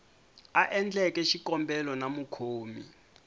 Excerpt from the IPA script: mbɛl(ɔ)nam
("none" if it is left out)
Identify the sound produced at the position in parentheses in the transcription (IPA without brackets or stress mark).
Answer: ɔ